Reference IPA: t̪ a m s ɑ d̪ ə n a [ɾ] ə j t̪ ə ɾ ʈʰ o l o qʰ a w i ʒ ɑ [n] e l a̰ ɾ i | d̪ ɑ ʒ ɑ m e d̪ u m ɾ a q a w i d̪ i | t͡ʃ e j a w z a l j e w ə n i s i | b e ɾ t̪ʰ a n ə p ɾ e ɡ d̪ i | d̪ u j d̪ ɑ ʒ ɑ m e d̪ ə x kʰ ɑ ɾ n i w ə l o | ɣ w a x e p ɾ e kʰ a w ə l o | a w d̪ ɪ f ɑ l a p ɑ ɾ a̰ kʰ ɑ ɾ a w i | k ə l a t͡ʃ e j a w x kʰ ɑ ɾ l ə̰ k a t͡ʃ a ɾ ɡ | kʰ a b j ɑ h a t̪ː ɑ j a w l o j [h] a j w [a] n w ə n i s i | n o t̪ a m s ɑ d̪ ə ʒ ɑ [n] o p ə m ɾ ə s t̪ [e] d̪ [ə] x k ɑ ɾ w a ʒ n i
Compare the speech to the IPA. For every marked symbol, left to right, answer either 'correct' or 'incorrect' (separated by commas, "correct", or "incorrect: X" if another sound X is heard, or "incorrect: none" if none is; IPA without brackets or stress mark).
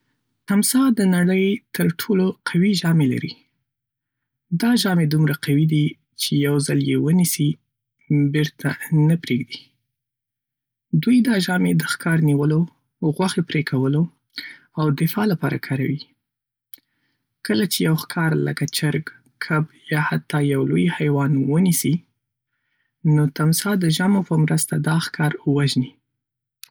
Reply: incorrect: ɽ, incorrect: m, correct, incorrect: ɑ, incorrect: m, incorrect: a, incorrect: ɑ